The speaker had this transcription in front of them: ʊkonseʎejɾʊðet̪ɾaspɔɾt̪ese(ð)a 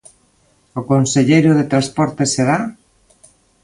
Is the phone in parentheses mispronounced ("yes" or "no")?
no